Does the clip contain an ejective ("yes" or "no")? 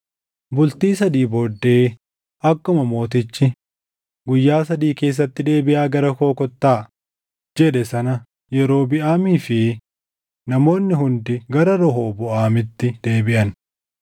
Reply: no